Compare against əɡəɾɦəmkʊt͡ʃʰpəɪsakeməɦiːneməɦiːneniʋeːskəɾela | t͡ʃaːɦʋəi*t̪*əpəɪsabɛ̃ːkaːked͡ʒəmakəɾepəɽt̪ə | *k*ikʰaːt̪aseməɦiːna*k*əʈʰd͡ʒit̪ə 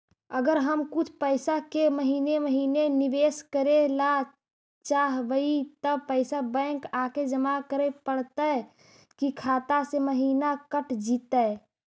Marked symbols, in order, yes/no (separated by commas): yes, yes, yes